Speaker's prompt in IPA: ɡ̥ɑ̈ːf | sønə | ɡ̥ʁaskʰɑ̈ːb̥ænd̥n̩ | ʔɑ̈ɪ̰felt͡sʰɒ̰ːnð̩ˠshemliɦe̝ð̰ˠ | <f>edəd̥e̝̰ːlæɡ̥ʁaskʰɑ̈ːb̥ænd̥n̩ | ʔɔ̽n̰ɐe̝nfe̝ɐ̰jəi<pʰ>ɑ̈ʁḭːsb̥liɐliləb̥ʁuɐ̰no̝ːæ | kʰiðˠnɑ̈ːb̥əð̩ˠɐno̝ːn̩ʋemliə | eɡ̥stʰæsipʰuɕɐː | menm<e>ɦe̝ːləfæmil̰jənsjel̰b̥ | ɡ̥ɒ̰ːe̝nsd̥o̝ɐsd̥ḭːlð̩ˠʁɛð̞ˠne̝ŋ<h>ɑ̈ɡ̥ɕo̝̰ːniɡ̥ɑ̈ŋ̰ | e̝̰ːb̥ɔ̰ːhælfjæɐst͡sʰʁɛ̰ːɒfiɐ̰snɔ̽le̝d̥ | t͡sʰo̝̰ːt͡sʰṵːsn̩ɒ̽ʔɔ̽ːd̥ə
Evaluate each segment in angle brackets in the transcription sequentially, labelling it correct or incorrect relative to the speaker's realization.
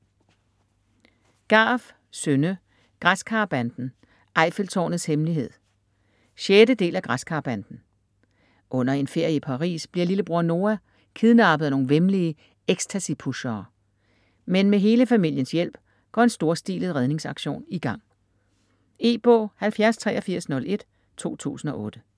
incorrect: ɕ, correct, correct, incorrect: s

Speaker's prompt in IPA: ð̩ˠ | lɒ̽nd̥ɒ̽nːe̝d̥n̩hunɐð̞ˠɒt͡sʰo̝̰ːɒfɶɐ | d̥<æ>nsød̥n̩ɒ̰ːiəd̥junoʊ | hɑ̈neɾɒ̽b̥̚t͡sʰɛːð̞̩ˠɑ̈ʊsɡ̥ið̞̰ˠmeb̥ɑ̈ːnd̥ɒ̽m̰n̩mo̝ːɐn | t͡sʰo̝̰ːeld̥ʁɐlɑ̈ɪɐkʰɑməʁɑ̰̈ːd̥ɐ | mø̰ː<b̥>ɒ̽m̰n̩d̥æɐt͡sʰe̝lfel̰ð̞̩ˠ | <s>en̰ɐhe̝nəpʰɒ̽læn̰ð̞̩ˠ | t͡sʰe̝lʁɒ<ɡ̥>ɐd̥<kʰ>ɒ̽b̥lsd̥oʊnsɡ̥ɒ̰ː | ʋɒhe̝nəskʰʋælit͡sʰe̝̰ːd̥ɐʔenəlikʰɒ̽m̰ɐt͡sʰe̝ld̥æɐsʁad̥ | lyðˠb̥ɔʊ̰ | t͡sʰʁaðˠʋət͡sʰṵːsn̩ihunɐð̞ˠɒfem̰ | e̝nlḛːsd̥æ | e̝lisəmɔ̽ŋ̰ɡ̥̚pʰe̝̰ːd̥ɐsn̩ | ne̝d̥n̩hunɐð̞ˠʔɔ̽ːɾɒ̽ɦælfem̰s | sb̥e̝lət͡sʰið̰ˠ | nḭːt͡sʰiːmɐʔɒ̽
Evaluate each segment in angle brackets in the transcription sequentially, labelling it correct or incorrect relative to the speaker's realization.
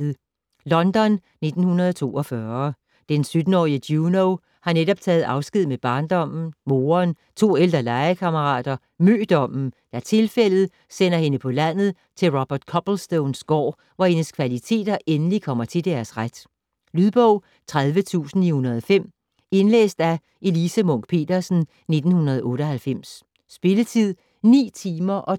incorrect: e, incorrect: d̥, correct, incorrect: b̥, correct

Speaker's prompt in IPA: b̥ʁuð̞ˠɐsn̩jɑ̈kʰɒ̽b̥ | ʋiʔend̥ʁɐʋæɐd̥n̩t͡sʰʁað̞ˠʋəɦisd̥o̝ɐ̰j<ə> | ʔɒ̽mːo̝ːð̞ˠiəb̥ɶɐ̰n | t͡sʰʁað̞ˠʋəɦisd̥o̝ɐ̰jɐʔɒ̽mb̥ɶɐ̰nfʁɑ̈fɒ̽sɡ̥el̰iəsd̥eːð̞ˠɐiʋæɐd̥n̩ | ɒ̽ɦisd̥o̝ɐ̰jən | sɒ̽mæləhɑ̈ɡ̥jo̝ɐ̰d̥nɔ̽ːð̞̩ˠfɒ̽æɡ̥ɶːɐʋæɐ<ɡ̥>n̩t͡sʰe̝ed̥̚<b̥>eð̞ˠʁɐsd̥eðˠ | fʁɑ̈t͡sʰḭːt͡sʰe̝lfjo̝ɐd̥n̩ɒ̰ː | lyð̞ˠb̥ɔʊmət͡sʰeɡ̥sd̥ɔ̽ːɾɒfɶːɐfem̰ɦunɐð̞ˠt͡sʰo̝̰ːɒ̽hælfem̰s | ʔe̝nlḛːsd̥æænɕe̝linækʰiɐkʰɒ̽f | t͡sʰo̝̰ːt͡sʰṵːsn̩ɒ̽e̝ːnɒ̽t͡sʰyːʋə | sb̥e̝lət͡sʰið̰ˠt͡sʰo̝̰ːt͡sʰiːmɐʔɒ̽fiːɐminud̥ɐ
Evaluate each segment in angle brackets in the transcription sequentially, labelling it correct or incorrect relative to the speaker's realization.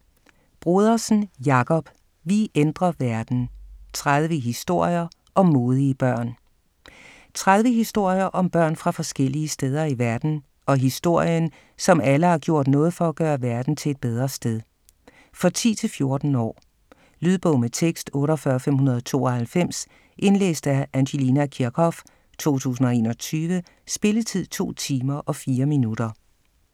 incorrect: ɐ, incorrect: d̥, correct

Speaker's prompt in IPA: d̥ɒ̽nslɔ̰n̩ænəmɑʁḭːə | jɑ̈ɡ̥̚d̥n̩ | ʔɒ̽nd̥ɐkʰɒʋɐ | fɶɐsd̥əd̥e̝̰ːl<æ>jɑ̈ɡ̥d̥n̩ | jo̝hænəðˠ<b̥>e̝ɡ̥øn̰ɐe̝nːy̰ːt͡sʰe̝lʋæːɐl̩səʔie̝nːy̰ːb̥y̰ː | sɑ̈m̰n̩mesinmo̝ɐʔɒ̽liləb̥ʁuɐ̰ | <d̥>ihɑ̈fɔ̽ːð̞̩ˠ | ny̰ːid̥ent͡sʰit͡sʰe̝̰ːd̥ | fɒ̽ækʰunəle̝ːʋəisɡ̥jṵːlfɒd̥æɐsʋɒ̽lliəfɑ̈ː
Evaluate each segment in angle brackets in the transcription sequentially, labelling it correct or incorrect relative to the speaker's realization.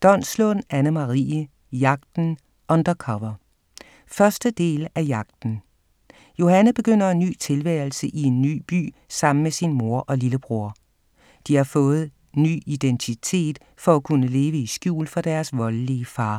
correct, correct, correct

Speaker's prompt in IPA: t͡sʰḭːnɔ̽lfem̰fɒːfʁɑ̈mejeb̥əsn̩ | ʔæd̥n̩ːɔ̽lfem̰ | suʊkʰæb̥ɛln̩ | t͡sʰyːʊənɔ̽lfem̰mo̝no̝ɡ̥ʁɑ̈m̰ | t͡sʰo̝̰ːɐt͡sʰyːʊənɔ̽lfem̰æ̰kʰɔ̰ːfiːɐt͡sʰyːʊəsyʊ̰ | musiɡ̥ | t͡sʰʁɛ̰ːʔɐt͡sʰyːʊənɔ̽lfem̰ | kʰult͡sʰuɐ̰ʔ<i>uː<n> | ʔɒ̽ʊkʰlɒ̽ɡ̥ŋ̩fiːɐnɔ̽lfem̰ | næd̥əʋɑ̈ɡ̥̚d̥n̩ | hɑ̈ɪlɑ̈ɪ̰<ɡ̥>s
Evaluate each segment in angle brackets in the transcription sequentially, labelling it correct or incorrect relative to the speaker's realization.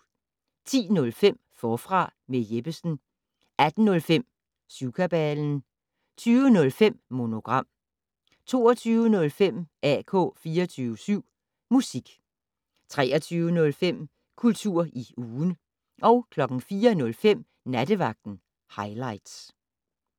correct, correct, incorrect: d̥

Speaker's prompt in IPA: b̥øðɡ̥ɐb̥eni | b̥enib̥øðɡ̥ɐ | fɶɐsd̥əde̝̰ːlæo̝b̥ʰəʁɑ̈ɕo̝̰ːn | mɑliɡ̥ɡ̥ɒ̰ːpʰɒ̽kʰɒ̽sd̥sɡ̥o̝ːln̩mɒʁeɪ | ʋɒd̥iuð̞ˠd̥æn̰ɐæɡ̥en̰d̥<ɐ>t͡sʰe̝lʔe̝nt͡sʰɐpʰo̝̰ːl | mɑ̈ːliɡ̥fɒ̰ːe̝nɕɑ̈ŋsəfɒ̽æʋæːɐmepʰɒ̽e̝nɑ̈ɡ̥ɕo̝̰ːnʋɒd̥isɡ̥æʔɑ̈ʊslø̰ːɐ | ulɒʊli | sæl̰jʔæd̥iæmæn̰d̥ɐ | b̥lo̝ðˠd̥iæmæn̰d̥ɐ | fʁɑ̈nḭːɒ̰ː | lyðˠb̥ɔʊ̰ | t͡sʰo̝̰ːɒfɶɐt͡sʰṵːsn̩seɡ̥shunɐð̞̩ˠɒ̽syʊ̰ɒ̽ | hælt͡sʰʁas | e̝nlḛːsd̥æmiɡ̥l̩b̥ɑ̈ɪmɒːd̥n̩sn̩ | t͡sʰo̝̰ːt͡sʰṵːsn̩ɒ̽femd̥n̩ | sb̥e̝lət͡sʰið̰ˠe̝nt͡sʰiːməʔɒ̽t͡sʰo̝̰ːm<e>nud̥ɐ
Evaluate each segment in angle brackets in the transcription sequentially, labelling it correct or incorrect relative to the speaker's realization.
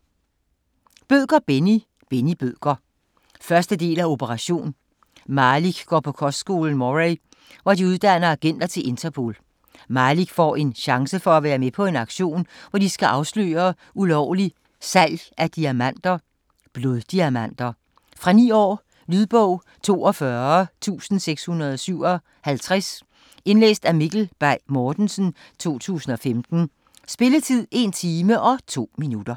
correct, incorrect: i

